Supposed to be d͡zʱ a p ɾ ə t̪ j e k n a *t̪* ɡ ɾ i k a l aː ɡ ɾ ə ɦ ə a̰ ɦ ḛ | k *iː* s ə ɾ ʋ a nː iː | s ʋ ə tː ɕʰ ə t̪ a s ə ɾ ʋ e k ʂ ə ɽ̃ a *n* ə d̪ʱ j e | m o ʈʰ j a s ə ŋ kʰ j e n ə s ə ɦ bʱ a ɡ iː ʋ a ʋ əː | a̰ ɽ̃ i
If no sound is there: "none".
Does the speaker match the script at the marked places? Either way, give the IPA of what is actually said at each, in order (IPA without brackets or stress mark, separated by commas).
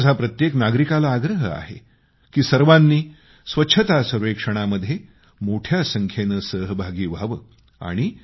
none, iː, m